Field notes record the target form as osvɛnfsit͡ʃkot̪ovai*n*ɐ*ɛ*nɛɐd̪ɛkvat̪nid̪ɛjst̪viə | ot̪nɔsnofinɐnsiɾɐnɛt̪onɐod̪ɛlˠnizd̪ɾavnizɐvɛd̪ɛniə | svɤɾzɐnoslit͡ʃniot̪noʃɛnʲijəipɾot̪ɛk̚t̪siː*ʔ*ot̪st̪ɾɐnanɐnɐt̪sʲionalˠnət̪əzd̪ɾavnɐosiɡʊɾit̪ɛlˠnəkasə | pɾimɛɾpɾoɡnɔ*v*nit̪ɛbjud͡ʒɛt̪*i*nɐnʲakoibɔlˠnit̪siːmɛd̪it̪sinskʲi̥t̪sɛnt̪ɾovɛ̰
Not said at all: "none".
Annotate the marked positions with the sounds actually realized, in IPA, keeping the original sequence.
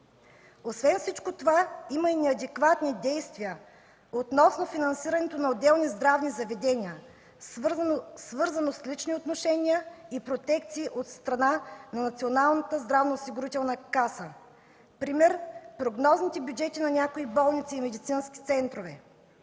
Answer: m, i, ʔ, z, i

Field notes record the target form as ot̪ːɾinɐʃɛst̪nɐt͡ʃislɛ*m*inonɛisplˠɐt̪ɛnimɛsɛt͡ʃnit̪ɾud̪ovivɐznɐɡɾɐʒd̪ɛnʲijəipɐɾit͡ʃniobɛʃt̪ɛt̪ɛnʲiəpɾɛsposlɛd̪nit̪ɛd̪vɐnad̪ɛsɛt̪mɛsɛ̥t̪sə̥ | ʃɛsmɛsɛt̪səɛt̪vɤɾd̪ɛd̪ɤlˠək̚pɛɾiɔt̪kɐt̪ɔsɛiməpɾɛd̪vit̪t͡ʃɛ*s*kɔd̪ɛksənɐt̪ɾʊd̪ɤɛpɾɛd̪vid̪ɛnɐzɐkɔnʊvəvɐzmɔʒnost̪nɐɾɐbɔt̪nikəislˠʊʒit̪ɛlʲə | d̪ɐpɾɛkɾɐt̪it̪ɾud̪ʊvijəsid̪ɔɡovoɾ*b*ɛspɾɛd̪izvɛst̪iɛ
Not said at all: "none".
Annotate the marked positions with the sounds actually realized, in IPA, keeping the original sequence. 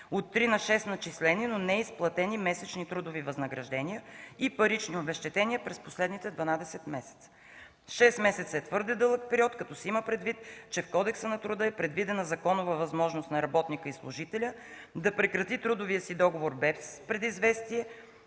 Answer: n, f, b

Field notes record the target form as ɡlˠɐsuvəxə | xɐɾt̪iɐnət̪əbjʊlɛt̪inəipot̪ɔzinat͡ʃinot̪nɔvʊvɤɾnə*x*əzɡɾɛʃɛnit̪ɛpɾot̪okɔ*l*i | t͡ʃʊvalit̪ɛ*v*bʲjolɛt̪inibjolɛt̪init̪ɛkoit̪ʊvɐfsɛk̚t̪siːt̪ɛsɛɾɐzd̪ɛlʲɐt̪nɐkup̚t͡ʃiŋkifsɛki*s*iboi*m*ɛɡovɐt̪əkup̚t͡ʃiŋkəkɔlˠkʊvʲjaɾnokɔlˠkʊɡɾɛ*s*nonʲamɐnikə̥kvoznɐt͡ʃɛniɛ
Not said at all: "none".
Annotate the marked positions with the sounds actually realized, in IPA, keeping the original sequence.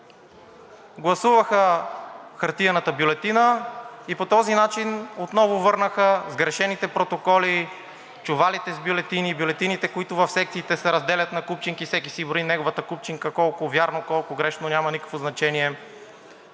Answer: x, l, z, s, n, ʃ

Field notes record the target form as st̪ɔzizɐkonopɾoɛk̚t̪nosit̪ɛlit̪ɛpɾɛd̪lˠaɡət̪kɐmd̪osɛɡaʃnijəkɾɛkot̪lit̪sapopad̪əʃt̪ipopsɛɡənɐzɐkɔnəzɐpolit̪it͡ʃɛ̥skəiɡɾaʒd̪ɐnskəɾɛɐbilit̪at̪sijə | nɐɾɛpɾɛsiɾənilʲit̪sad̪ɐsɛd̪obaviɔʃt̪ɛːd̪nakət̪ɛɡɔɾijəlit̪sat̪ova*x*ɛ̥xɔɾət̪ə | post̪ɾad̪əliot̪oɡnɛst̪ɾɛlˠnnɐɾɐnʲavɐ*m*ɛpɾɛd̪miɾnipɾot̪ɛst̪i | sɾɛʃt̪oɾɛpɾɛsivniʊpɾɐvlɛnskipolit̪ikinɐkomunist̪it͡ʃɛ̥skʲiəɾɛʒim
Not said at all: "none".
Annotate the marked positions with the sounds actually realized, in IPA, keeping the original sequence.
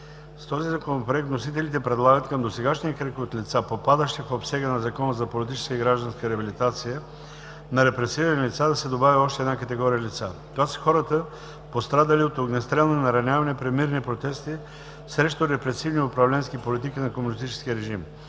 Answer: s, n

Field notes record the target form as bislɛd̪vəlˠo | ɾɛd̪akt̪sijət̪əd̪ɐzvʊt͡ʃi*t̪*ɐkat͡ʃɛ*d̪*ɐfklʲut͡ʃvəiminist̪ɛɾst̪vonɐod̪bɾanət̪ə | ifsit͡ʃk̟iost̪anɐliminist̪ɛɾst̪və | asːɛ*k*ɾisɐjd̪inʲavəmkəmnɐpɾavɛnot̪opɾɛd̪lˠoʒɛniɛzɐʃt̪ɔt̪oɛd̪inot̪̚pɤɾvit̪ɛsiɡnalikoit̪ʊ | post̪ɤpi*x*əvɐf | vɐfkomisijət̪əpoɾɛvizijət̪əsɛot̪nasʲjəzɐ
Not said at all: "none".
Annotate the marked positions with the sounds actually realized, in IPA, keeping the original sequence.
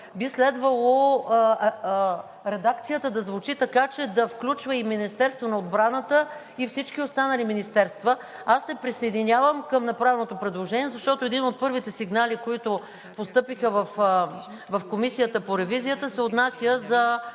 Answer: t̪, d̪, p, x

